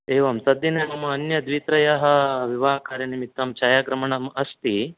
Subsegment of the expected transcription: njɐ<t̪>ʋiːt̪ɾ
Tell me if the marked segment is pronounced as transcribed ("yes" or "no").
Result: no